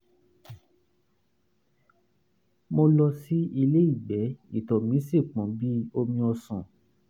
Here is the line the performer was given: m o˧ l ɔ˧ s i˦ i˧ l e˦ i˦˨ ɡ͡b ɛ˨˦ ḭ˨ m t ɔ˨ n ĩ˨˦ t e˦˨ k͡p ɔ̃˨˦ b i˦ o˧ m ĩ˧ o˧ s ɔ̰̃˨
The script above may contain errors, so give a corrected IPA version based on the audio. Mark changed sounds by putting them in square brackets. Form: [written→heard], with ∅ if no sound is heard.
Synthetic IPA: m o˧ l ɔ˧ s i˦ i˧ l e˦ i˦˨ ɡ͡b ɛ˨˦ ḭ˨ [m→∅] t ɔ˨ [n→m] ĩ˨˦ [t→s] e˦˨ k͡p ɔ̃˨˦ b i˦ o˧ m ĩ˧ [o˧→ɔ˧] s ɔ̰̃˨

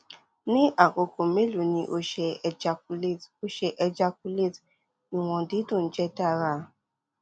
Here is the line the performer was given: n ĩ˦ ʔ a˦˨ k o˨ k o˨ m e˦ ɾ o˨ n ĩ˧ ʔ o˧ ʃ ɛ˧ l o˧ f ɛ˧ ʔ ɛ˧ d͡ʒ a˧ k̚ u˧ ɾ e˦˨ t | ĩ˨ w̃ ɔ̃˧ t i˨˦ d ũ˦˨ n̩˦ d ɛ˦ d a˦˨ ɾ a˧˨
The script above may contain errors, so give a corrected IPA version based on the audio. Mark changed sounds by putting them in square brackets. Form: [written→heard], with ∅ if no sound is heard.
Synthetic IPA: n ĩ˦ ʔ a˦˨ k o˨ k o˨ m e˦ [ɾ→l] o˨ n ĩ˧ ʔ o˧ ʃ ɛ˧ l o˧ [f→ʃ] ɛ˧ ʔ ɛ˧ d͡ʒ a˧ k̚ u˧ [ɾ→l] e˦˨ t | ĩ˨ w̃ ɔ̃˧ [t→d] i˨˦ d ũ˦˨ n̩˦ [d→d͡ʒ] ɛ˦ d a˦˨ ɾ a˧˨

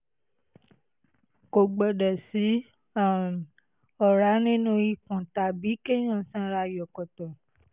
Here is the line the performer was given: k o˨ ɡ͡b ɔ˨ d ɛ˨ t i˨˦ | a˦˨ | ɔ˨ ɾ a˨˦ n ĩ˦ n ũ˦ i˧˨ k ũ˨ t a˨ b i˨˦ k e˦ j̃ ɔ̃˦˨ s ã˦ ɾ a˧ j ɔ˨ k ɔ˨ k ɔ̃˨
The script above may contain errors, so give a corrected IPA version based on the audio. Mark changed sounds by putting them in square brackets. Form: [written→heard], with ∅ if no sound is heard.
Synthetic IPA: k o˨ ɡ͡b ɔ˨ d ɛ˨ [t→s] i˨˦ | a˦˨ | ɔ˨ ɾ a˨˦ n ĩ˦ n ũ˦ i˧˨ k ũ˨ t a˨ b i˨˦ k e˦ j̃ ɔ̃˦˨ s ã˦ ɾ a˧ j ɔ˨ k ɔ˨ [k→t] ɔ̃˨

